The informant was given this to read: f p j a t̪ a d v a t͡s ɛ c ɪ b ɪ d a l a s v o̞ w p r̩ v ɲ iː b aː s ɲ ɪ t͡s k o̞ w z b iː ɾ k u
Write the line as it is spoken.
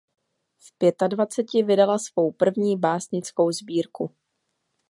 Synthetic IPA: f p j ɛ t̪ a d v a t͡s ɛ c ɪ v ɪ d a l a s v o̞ w p r̩ v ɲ iː b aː s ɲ ɪ t͡s k o̞ w z b iː ɾ k u